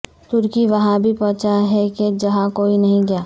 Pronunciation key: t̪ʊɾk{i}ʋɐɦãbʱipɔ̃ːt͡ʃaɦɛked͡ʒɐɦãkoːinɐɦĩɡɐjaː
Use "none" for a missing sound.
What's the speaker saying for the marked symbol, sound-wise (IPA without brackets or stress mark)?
i